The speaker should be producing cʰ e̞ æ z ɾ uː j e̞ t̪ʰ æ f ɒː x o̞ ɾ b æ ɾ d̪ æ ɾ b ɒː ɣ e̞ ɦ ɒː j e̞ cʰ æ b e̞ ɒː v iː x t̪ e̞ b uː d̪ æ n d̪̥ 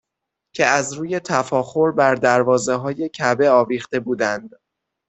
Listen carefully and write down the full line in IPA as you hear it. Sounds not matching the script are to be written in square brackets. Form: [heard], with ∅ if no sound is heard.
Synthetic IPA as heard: cʰ e̞ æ z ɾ uː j e̞ t̪ʰ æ f ɒː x o̞ ɾ b æ ɾ d̪ æ ɾ [v] ɒː [z] e̞ ɦ ɒː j e̞ cʰ æ b e̞ ɒː v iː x t̪ e̞ b uː d̪ æ n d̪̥